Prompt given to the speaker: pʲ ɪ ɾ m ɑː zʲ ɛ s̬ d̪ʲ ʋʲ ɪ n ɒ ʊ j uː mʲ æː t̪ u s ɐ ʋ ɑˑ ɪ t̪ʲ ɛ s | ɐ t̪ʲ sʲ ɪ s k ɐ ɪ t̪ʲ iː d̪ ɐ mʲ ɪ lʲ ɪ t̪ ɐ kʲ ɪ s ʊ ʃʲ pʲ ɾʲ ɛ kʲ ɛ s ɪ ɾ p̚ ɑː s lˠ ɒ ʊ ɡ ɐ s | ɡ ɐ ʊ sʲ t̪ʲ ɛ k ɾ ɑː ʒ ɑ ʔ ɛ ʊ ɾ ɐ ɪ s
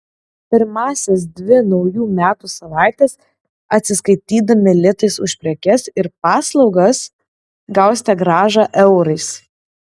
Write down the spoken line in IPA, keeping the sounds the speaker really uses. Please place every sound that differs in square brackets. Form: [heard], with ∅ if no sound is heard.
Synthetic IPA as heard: pʲ ɪ ɾ m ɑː [sʲ] ɛ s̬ d̪ʲ ʋʲ ɪ n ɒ ʊ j uː mʲ æː t̪ u s ɐ ʋ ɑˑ ɪ t̪ʲ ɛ s | ɐ t̪ʲ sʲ ɪ s k ɐ ɪ t̪ʲ iː d̪ ɐ mʲ ɪ lʲ ɪ t̪ ɐ [∅] ɪ s ʊ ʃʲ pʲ ɾʲ ɛ kʲ ɛ s ɪ ɾ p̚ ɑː s lˠ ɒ ʊ ɡ ɐ s | ɡ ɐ ʊ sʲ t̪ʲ ɛ [ɡ] ɾ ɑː ʒ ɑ ʔ ɛ ʊ ɾ ɐ ɪ s